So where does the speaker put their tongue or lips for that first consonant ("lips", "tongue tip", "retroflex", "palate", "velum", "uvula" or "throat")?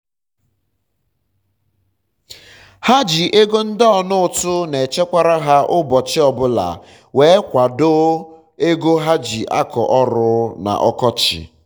throat